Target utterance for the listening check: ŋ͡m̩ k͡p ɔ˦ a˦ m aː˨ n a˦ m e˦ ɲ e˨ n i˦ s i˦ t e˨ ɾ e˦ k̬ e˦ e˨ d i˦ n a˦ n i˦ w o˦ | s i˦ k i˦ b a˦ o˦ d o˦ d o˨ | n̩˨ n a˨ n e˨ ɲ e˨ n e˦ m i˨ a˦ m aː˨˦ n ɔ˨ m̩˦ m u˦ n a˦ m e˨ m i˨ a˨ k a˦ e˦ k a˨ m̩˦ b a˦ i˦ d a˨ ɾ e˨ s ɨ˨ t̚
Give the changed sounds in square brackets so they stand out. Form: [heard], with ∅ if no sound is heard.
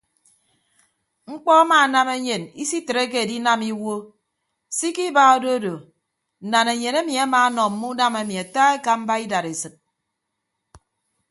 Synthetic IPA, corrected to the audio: ŋ͡m̩ k͡p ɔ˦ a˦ m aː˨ n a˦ m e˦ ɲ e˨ n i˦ s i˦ t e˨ ɾ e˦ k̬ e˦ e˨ d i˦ n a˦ [m] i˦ w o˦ | s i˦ k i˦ b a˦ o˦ d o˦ d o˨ | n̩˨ n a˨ n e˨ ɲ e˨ n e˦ m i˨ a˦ m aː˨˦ n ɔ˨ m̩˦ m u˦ n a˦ m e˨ m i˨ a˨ [t] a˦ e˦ k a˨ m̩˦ b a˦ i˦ d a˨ ɾ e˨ s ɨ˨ t̚